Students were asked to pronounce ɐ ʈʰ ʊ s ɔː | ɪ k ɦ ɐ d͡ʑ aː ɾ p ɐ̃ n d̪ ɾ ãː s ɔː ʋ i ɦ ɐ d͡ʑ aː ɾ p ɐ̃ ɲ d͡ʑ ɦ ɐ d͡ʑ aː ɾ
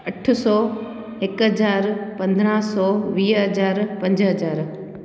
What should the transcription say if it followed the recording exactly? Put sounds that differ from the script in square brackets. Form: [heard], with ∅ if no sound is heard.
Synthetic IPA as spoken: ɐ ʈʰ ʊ s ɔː | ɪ k ɦ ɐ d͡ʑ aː ɾ p ɐ̃ n d̪ ɾ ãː s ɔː ʋ [iː] ɦ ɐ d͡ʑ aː ɾ p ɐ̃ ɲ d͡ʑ ɦ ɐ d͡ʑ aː ɾ